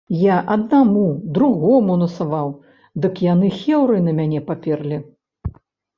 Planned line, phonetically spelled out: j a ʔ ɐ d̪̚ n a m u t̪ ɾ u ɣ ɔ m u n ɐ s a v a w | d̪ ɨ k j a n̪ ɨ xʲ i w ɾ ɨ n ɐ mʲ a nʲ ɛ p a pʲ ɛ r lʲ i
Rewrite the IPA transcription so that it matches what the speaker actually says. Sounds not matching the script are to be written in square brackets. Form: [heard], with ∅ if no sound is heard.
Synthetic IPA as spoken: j a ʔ ɐ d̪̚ n a m u [d̪] ɾ u ɣ ɔ m u n ɐ s a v a w | d̪ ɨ k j a n̪ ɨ xʲ [ɛ] w ɾ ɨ n ɐ mʲ a nʲ ɛ p a pʲ ɛ r lʲ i